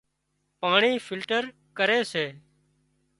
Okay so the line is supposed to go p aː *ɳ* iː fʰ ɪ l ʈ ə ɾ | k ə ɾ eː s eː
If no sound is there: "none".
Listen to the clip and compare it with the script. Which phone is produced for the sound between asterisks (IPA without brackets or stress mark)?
ɳ